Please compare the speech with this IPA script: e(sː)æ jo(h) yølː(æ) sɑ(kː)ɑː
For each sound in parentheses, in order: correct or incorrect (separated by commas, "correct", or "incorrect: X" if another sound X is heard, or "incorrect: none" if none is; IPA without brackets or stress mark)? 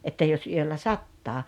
incorrect: tː, incorrect: s, correct, incorrect: tː